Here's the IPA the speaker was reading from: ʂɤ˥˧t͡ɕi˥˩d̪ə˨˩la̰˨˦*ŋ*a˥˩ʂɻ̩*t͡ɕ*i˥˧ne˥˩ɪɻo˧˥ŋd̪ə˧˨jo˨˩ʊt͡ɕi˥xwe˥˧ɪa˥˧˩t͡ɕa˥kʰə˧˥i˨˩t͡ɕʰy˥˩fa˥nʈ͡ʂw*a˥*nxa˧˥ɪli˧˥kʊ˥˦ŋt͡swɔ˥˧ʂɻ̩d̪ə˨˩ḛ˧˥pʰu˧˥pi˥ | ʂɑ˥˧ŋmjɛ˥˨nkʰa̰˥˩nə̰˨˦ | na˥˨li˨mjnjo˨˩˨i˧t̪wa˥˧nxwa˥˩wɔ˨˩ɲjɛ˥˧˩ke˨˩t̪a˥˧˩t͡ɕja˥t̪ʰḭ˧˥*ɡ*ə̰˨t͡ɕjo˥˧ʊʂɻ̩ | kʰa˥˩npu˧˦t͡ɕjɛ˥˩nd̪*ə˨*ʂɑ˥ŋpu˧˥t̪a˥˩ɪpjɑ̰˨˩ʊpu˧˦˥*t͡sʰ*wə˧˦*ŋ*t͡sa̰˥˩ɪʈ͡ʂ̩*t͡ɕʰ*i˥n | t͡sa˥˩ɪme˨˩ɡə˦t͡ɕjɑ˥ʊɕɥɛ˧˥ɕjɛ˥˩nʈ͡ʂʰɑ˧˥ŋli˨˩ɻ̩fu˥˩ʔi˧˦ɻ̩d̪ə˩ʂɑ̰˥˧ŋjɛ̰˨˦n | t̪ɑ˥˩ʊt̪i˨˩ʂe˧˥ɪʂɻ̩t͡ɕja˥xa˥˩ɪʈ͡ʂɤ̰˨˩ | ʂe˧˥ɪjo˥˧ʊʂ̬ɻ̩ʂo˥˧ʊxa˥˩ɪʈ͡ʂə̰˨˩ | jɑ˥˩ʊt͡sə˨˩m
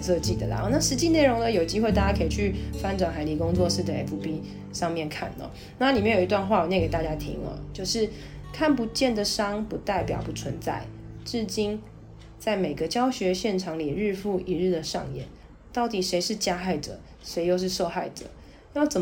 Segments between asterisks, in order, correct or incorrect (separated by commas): incorrect, correct, incorrect, incorrect, correct, correct, incorrect, incorrect